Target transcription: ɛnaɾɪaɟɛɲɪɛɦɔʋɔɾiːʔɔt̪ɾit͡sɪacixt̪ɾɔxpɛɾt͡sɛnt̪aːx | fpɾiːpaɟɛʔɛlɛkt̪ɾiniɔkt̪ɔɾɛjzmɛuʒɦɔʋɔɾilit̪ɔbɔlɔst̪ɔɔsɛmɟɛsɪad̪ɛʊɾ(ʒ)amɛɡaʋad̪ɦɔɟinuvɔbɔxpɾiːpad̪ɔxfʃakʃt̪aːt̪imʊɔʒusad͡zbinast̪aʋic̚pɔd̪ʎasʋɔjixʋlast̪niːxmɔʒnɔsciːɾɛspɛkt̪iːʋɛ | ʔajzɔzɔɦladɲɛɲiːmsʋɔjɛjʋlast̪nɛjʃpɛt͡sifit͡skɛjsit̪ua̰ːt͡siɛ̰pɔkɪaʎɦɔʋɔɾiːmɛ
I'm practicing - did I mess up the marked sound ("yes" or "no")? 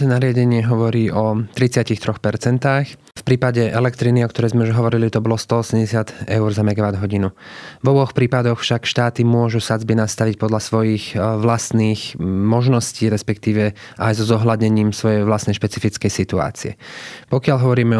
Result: yes